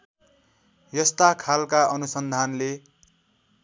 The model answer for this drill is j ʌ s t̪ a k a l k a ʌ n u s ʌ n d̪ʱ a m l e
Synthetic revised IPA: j ʌ s t̪ a kʰ a l k a ʌ n u s ʌ n d̪ʱ a n l e

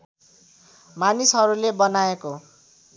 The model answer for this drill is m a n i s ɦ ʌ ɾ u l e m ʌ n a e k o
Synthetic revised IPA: m a n i s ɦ ʌ ɾ u l e b ʌ n a e k o

